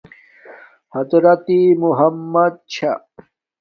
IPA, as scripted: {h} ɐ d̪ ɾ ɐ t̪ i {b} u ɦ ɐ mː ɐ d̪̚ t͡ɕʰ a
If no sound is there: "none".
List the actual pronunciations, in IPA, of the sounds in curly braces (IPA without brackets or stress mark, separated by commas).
h, m